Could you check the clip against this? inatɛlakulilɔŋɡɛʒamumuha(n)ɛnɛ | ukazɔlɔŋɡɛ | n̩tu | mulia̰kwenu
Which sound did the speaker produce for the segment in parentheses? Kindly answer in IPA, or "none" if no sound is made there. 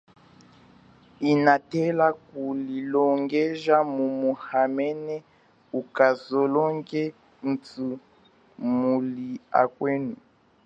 m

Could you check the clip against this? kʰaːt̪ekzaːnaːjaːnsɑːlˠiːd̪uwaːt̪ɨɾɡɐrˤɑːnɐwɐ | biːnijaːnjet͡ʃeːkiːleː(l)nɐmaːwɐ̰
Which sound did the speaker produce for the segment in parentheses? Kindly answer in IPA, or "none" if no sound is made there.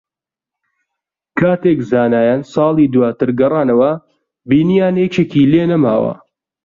none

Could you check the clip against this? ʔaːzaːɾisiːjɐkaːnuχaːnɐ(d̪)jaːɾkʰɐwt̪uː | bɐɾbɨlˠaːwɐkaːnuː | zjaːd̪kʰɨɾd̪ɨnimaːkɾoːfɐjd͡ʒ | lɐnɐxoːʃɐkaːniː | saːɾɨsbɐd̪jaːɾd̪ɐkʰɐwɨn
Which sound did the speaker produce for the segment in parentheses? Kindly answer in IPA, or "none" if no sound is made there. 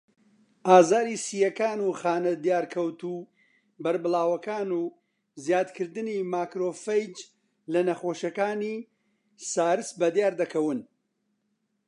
d̪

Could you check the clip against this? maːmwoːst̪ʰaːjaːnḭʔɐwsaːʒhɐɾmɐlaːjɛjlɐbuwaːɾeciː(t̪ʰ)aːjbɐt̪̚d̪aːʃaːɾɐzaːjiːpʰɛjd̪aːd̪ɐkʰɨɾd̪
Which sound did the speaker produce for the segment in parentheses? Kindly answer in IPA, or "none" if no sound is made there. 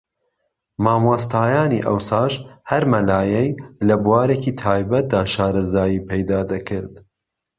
t̪ʰ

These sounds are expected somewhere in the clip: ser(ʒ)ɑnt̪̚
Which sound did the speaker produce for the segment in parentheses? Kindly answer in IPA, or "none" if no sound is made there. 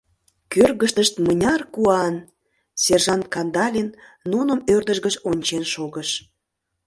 ʒ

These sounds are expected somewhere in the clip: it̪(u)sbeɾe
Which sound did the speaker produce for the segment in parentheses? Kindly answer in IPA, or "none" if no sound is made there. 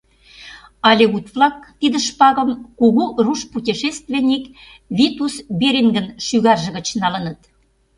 u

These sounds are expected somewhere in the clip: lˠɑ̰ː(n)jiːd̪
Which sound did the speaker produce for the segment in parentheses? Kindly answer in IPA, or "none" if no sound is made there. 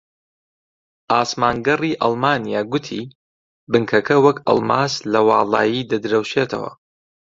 none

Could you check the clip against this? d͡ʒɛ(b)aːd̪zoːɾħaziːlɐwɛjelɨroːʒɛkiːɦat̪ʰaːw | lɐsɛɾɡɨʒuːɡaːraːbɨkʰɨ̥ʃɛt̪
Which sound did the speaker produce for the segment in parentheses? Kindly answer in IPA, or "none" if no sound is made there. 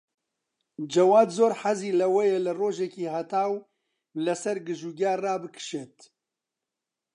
w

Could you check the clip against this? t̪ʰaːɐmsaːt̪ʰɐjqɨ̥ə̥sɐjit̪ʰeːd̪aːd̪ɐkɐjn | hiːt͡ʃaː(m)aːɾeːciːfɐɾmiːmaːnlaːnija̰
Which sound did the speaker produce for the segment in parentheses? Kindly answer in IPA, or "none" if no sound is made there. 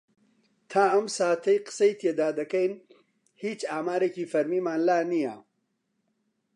m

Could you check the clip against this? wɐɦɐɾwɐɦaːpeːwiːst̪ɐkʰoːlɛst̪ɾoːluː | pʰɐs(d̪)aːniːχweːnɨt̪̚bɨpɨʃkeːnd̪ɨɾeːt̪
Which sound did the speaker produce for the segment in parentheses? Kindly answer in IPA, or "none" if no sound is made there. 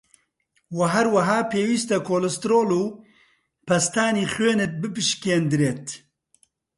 t̪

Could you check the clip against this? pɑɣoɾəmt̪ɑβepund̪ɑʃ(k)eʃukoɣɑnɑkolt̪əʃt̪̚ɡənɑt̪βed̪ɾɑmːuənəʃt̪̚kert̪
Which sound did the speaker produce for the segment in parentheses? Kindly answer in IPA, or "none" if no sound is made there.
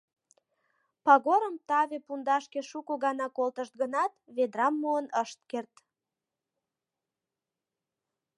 k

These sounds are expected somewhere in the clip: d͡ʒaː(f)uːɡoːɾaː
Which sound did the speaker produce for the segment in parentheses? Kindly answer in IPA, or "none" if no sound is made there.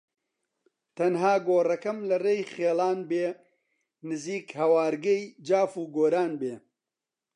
f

